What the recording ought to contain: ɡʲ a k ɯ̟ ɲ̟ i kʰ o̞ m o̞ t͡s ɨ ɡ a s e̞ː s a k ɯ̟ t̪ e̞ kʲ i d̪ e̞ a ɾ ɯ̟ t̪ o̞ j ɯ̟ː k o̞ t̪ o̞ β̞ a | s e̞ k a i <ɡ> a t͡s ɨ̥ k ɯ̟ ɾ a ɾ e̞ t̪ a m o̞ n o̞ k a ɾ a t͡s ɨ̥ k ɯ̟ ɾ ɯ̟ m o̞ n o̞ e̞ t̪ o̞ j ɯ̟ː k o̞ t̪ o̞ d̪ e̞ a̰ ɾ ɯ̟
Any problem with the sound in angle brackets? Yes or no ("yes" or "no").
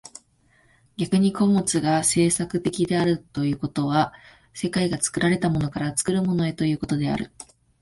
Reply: no